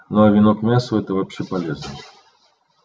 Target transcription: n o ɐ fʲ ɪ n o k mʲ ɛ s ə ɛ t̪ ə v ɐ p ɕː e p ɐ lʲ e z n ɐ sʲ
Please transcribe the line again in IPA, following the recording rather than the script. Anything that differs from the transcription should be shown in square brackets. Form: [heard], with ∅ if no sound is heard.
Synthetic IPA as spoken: n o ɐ [vʲ] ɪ n o k mʲ [a] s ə ɛ t̪ ə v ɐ p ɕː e p ɐ lʲ e z n [ə] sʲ